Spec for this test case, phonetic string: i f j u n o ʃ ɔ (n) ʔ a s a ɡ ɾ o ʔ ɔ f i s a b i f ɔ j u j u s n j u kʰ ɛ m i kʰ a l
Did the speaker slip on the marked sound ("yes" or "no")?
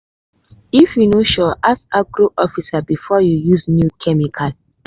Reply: yes